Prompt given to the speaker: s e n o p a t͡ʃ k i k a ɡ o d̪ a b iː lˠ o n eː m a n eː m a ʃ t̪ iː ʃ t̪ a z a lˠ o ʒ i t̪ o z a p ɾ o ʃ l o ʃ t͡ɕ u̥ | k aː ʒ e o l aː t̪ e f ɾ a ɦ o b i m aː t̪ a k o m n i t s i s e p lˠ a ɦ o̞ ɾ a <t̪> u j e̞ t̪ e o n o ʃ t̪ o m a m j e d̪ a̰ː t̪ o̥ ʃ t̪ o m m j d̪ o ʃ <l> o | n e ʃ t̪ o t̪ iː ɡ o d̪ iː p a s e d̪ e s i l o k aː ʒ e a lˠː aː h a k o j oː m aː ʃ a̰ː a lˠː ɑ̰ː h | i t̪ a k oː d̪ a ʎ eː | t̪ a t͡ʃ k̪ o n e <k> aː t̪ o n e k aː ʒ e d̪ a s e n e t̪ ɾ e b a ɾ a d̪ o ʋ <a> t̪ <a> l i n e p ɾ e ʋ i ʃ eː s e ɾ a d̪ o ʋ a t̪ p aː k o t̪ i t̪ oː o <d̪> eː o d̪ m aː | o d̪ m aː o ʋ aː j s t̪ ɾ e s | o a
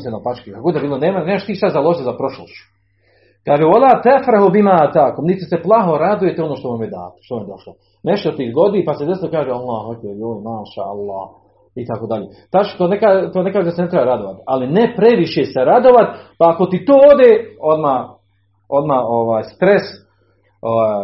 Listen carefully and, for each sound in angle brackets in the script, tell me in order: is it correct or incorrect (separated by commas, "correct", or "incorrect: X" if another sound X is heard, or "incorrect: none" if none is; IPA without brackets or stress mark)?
incorrect: d̪, correct, correct, correct, correct, correct